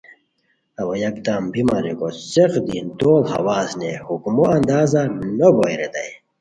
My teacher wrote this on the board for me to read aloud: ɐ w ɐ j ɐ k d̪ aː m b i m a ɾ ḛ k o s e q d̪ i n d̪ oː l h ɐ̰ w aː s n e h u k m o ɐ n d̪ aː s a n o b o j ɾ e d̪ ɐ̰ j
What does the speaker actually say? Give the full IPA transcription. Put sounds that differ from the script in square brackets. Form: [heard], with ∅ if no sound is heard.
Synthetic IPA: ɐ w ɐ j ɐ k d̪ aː m b i m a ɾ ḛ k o s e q d̪ i n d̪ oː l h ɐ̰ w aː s n e h u k m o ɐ n d̪ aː [z] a n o b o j ɾ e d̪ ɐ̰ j